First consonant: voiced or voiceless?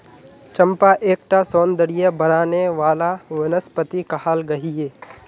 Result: voiceless